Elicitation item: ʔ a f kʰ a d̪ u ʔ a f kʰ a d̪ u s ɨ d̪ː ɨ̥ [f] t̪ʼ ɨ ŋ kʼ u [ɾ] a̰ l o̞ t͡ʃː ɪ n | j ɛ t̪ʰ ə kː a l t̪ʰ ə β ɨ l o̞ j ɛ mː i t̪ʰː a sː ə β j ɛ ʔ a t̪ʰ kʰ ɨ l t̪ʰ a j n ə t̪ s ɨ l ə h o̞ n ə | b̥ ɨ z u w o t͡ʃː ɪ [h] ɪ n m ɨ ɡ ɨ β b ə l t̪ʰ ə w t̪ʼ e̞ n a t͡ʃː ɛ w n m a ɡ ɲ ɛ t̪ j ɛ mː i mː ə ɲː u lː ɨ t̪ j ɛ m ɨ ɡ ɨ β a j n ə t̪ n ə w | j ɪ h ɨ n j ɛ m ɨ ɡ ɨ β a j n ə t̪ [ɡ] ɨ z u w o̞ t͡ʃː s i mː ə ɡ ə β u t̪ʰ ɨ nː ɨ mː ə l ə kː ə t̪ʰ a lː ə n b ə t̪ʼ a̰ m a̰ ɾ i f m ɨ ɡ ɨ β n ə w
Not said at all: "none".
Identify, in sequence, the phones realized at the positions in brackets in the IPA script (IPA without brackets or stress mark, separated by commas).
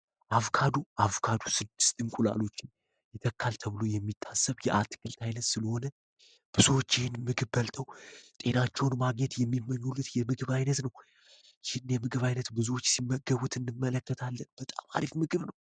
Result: s, l, h, b